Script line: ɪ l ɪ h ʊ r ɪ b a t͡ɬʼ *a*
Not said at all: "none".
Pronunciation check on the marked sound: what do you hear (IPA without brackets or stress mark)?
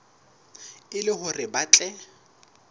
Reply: ɛ